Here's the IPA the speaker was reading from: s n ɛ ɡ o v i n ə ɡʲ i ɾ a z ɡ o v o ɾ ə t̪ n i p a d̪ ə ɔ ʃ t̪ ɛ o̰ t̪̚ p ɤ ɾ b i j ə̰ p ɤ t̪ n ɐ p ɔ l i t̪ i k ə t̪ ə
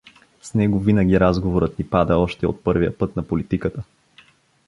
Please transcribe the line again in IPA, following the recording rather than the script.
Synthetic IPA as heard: s n ɛ ɡ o v i n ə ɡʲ i ɾ a z ɡ o v o ɾ ə t̪ n i p a d̪ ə ɔ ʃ t̪ ɛ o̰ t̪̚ p ɤ ɾ v i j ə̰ p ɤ t̪ n ɐ p o l i t̪ i k ə t̪ ə